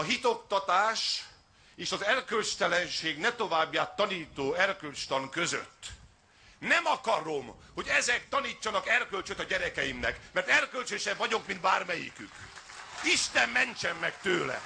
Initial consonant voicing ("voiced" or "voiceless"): voiced